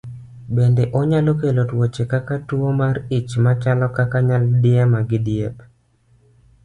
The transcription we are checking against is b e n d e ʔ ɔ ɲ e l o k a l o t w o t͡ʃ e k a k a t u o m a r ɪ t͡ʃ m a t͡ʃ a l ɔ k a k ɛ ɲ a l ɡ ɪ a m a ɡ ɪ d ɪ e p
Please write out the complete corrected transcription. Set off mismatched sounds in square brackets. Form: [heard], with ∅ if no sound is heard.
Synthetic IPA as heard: b e n d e ʔ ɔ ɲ [a] l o k [e] l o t w o t͡ʃ e k a k a t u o m a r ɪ t͡ʃ m a t͡ʃ a l ɔ k a k [a] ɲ a l [d] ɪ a m a ɡ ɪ d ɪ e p

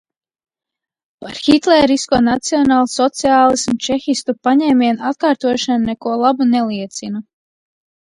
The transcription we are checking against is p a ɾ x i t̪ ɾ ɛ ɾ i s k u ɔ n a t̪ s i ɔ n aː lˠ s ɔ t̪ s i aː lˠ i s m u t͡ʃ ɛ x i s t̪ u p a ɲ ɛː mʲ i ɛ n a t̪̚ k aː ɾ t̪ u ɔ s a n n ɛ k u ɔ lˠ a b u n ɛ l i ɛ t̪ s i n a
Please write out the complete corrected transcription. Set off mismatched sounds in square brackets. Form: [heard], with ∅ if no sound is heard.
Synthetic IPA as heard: p a ɾ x i t̪ [l] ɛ ɾ i s k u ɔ n a t̪ s i ɔ n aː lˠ s ɔ t̪ s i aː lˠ i s m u t͡ʃ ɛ x i s t̪ u p a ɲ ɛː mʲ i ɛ n a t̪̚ k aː ɾ t̪ u ɔ [ʃ] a n n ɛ k u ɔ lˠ a b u n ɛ l i ɛ t̪ s i n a

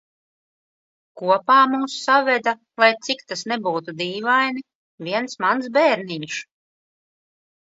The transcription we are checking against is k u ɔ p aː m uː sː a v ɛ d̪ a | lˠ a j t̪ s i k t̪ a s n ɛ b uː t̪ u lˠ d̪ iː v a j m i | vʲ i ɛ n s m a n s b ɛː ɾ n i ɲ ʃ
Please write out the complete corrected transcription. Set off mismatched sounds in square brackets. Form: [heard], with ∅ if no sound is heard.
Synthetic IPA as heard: k u ɔ p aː m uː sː a v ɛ d̪ a | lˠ a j t̪ s i k t̪ a s n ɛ b uː t̪ u [∅] d̪ iː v a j [n] i | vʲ i ɛ n s m a n s b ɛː ɾ n i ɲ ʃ

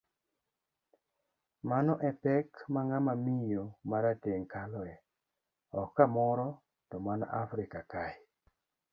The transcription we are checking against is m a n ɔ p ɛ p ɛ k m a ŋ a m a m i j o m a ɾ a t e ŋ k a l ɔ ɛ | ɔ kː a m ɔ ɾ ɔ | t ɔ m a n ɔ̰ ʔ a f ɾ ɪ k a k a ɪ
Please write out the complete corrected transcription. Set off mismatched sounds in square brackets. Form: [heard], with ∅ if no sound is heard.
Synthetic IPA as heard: m a n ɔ [ʔ] ɛ p ɛ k m a ŋ a m a m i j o m a ɾ a t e ŋ k a l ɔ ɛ | ɔ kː a m ɔ ɾ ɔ | t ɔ m a n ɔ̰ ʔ a f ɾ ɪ k a k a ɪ

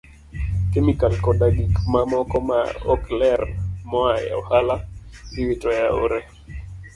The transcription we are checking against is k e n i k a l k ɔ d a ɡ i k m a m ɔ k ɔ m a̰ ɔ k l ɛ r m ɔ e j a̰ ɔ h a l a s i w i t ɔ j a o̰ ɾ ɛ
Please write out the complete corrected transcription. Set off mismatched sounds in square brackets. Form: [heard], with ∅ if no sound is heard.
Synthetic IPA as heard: k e [m] i k a l k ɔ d a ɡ i k m a m ɔ k ɔ m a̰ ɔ k l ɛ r m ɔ [a] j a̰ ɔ h a l a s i w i t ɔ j a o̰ ɾ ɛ

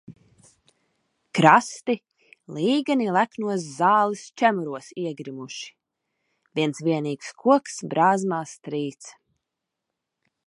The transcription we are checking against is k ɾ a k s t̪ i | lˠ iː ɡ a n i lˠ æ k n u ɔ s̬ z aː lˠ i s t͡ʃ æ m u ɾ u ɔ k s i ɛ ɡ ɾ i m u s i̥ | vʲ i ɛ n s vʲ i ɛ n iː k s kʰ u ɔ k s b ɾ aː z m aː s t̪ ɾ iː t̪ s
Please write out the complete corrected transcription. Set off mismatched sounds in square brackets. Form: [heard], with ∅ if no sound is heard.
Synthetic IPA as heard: k ɾ a [∅] s t̪ i | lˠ iː ɡ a n i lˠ æ k n u ɔ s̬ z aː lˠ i s t͡ʃ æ m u ɾ u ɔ [∅] s i ɛ ɡ ɾ i m u [ʃ] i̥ | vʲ i ɛ n s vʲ i ɛ n iː k s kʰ u ɔ k s b ɾ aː z m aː s t̪ ɾ iː t̪ s

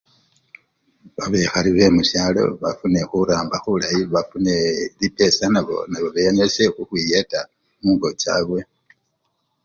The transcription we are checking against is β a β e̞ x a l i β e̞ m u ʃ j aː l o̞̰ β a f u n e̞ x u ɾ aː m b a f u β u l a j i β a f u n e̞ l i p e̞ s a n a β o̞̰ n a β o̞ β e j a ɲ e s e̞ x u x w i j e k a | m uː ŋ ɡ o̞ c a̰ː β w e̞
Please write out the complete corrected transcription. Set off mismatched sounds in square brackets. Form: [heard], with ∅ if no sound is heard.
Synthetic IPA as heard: β a β e̞ x a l i β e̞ m u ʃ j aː l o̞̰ β a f u n e̞ x u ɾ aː m b a [x] u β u l a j i β a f u n e̞ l i p e̞ s a n a β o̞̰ n a β o̞ β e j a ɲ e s e̞ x u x w i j e [t] a | m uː ŋ ɡ o̞ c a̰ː β w e̞

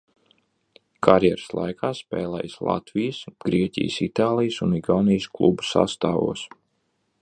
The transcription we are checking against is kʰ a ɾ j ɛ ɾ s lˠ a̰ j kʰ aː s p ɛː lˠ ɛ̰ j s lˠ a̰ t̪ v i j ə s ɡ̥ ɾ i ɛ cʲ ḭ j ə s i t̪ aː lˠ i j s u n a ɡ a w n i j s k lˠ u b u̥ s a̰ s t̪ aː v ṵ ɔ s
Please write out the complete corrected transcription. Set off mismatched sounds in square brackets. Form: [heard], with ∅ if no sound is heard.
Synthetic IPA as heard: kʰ a ɾ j ɛ ɾ s lˠ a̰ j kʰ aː s p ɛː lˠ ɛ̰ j s lˠ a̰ t̪ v i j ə s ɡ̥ ɾ i ɛ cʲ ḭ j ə s i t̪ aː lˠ i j s u n [i] ɡ a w n i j s k lˠ u b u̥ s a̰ s t̪ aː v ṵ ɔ s

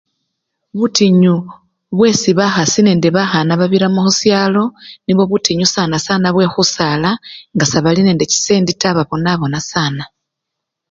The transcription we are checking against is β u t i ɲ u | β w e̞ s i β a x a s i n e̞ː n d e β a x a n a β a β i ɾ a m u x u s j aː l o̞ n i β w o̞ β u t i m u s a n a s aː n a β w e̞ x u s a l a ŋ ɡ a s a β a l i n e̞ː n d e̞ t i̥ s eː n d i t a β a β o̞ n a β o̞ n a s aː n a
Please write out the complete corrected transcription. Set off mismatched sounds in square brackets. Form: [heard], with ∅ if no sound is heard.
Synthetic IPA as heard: β u t i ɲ u | β w e̞ s i β a x a s i n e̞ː n d e β a x a n a β a β i ɾ a m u x u s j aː l o̞ n i β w o̞ β u t i [ɲ] u s a n a s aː n a β w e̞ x u s a l a ŋ ɡ a s a β a l i n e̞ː n d e̞ [c] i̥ s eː n d i t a β a β o̞ n a β o̞ n a s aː n a

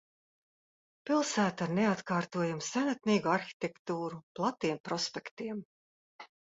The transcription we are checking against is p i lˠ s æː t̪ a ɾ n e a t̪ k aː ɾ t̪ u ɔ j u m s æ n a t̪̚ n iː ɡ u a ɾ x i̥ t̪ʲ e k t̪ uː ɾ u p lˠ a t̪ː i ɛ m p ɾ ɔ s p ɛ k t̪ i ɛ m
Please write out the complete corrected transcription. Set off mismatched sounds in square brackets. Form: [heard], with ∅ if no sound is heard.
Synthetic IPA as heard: p i lˠ s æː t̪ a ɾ n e a t̪ k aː ɾ t̪ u ɔ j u m s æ n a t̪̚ n iː ɡ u a ɾ x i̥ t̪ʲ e k t̪ uː ɾ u p lˠ a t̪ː i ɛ m p ɾ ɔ s p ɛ k t̪ i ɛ m

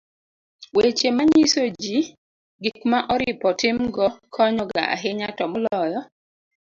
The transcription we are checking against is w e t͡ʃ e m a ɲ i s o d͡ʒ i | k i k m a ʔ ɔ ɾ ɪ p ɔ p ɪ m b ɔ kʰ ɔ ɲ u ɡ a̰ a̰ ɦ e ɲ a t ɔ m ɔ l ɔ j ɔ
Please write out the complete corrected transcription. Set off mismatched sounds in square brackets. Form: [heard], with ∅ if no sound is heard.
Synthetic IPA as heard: w e t͡ʃ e m a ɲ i s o d͡ʒ i | [ɡ] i k m a ʔ ɔ ɾ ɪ p ɔ [t] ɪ m [ɡ] ɔ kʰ ɔ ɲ [ɔ] ɡ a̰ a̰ ɦ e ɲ a t ɔ m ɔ l ɔ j ɔ

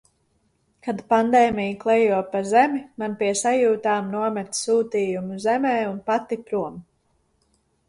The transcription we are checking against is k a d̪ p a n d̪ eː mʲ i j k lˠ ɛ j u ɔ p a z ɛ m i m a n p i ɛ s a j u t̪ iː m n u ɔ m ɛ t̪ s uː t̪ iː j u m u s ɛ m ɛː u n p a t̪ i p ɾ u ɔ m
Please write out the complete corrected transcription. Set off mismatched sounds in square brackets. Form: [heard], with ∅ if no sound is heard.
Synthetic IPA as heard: k a d̪ p a n d̪ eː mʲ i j k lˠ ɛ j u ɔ p a z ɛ m i m a n p i ɛ s a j [uː] t̪ [aː] m n u ɔ m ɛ t̪ s uː t̪ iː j u m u [z] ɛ m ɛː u n p a t̪ i p ɾ u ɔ m

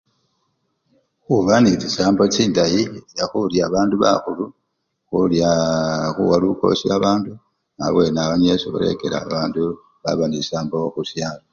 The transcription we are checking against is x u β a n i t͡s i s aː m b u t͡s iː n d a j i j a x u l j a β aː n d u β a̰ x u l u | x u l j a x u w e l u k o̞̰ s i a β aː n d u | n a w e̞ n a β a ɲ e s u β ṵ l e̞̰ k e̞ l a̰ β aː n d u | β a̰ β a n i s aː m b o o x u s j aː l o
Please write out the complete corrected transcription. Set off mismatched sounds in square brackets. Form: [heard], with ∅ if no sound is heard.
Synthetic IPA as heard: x u β a n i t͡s i s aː m b [o] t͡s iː n d a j i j a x u l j a β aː n d u β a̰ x u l u | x u l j a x u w [a] l u k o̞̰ s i a β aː n d u | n a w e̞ n a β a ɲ e s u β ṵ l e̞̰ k e̞ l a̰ β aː n d u | β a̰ β a n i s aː m b o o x u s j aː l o

